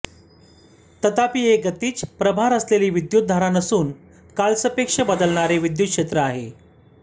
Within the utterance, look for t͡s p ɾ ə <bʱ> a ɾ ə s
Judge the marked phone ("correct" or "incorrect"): correct